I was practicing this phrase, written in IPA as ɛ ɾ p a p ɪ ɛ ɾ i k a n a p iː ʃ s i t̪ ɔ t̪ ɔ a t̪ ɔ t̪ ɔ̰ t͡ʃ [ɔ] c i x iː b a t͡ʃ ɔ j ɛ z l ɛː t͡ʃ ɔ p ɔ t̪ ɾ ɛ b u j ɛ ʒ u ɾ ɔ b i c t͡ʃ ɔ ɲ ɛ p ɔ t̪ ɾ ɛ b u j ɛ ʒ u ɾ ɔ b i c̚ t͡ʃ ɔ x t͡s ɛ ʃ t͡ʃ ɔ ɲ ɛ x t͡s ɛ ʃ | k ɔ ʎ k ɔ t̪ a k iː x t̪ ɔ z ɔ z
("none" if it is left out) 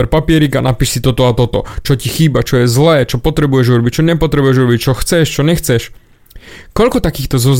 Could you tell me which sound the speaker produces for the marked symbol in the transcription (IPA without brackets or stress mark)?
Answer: ɔ